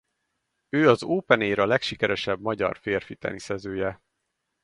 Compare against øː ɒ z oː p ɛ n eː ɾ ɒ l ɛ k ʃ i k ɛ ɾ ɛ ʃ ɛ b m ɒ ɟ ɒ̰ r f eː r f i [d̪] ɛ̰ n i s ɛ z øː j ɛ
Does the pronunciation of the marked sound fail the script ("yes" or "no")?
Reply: yes